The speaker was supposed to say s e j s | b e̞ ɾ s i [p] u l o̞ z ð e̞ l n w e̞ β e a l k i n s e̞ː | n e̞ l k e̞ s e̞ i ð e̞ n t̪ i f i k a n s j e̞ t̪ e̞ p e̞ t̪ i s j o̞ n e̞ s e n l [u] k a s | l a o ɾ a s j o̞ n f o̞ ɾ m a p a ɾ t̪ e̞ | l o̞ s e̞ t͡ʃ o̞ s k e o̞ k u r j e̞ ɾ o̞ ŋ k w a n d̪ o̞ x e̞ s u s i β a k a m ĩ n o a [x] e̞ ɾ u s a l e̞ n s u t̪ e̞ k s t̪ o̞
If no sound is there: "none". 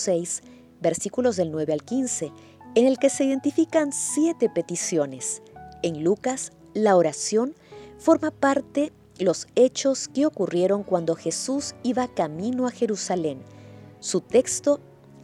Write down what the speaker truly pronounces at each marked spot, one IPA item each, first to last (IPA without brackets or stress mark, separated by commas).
k, u, x